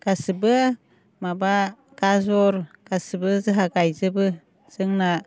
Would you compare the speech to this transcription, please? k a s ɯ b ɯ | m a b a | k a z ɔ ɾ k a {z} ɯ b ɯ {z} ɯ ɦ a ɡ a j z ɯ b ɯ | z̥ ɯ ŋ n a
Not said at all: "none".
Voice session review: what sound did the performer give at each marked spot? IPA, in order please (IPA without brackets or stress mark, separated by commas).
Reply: s, z